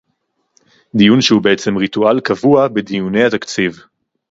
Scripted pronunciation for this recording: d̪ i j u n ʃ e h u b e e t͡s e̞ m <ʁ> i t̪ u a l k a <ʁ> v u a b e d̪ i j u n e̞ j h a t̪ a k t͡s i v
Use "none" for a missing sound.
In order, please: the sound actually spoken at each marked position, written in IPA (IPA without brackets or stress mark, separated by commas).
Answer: ʁ, none